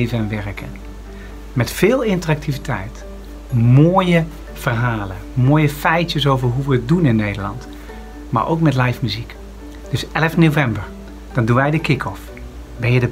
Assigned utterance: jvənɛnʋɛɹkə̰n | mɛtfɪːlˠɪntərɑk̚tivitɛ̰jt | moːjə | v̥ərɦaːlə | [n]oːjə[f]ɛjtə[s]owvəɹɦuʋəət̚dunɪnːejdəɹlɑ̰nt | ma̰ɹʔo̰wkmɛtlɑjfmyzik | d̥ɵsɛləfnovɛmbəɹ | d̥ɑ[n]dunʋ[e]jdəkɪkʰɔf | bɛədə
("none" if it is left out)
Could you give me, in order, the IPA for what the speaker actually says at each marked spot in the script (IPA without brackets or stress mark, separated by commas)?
m, f, s, n, ɛ